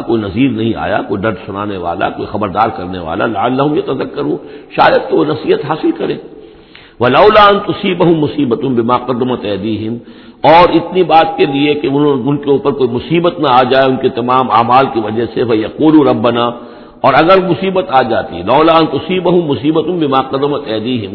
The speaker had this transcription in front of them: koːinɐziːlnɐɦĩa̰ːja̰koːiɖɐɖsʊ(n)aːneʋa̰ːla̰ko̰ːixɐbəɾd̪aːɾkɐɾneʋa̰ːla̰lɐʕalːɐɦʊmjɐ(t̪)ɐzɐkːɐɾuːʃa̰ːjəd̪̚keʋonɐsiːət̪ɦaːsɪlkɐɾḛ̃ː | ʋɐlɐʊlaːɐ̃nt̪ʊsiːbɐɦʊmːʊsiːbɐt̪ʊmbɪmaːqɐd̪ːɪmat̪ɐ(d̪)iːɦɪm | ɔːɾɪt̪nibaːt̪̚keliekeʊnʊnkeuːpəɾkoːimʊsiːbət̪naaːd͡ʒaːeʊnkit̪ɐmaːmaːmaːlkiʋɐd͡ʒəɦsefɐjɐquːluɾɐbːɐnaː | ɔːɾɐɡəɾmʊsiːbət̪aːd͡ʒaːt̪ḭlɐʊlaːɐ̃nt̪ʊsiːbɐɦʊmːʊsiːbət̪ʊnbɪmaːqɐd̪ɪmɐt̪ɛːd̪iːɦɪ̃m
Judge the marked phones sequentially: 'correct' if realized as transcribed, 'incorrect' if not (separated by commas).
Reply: correct, correct, correct